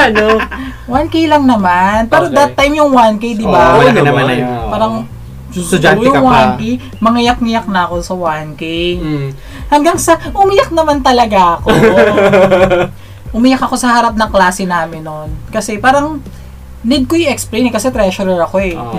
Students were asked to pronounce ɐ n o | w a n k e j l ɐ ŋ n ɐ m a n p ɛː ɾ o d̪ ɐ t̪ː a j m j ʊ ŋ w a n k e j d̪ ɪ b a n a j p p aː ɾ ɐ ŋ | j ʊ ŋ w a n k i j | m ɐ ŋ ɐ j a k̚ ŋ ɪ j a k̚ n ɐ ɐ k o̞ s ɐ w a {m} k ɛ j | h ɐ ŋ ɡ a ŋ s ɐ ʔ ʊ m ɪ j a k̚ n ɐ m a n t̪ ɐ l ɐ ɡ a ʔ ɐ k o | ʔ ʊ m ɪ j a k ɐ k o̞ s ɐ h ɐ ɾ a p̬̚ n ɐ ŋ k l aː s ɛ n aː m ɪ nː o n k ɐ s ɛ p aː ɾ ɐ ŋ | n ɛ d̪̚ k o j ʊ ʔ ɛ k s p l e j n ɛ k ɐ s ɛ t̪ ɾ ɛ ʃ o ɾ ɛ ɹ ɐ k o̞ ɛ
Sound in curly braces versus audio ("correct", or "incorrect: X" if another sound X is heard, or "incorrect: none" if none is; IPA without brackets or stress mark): incorrect: n